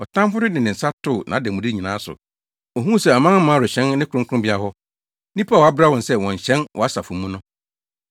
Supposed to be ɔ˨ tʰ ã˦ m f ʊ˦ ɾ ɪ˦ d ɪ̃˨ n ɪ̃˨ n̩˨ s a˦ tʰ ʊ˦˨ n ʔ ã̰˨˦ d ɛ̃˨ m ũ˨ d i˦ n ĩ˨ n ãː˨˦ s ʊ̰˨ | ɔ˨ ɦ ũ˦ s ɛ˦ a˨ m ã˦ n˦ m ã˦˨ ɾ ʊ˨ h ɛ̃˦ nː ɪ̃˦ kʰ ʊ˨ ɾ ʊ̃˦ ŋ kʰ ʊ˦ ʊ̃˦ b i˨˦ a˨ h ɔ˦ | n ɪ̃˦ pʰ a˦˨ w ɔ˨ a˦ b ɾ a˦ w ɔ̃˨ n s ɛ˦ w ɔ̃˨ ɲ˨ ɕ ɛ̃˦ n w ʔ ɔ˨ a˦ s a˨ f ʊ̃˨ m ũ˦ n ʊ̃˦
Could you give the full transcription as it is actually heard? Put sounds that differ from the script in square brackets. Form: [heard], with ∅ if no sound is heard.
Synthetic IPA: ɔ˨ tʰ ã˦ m f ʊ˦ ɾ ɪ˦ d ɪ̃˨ n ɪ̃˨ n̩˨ s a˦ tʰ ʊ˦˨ n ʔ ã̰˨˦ d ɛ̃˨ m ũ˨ d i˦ [ɲ] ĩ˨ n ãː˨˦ s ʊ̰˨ | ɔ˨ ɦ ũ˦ s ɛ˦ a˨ m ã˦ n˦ m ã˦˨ ɾ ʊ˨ [ɕ] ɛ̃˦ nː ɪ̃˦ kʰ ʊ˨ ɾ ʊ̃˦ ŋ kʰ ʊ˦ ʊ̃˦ b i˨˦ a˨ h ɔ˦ | n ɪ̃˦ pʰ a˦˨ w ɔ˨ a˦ b ɾ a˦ w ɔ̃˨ n s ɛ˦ w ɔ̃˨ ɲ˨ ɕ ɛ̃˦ n w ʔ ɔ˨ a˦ s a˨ f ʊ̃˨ m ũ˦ n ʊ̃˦